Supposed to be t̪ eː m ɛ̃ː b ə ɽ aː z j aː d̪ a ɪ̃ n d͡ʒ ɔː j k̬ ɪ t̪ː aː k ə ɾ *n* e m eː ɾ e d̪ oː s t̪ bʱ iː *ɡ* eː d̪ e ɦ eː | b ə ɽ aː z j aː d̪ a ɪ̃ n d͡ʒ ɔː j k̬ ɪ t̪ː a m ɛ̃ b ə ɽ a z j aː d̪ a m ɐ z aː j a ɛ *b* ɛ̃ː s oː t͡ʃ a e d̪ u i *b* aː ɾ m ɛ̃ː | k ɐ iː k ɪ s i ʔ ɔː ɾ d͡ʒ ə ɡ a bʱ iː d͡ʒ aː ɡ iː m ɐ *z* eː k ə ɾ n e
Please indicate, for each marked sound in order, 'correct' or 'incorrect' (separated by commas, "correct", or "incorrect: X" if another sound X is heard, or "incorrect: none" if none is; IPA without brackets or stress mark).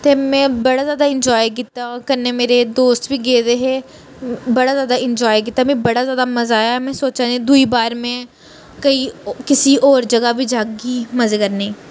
correct, correct, incorrect: m, correct, correct